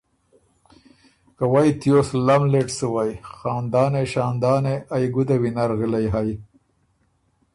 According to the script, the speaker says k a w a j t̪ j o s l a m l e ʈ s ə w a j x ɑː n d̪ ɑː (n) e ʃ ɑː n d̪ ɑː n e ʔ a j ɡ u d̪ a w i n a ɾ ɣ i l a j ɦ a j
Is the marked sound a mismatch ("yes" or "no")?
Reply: no